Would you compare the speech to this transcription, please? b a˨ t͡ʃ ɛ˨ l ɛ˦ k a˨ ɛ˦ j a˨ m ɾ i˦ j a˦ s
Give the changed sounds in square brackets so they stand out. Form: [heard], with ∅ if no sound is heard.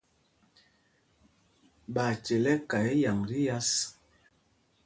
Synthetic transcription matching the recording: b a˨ t͡ʃ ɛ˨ l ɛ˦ k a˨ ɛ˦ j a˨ [ŋ] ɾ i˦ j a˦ s